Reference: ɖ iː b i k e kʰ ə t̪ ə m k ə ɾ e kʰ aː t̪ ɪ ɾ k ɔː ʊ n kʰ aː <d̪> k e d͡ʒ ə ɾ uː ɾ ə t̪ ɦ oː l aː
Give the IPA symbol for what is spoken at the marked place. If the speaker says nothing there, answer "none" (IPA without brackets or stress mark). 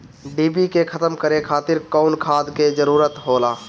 d̪